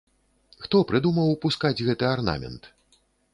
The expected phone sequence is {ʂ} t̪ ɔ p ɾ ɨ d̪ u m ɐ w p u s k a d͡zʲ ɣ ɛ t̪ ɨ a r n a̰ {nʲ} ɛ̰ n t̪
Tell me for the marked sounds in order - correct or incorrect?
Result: incorrect, incorrect

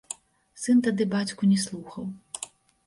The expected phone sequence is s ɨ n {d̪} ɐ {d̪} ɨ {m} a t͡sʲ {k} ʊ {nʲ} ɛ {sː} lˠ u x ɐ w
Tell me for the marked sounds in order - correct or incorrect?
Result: incorrect, correct, incorrect, correct, correct, incorrect

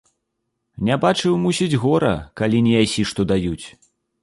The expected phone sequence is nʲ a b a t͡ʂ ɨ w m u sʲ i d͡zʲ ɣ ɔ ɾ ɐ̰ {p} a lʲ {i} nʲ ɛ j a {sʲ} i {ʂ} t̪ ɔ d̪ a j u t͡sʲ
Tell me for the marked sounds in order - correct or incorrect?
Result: incorrect, correct, correct, correct

